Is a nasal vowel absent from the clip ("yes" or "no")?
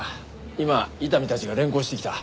no